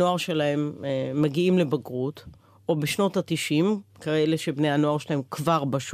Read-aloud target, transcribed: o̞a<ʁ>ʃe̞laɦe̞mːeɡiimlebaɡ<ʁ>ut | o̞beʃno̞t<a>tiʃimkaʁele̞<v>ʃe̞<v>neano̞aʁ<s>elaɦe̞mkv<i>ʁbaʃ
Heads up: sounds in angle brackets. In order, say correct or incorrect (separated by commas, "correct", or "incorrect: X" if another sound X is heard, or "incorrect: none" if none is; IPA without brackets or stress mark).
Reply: correct, correct, correct, incorrect: none, incorrect: b, incorrect: ʃ, incorrect: a